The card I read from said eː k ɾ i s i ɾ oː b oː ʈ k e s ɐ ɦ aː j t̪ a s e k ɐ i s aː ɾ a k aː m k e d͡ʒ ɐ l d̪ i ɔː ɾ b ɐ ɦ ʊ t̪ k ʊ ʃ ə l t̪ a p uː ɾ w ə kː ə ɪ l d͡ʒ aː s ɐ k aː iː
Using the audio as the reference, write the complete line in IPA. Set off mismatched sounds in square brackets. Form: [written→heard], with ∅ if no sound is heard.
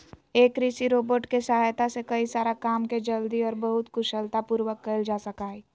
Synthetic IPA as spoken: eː k ɾ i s i ɾ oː b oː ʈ k e s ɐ ɦ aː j t̪ a s e k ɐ i s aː ɾ a k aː m k e d͡ʒ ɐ l d̪ i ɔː ɾ b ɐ ɦ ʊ t̪ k ʊ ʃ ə l t̪ a p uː ɾ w ə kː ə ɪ l d͡ʒ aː s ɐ k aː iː